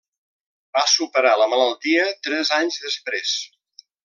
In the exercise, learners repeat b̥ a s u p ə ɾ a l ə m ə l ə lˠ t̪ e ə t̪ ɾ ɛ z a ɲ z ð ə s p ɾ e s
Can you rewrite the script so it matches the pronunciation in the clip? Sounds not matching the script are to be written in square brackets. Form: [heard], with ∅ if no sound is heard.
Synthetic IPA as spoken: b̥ a s u p ə ɾ a l ə m ə l ə lˠ t̪ [i] ə t̪ ɾ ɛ z a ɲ z ð ə s p ɾ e s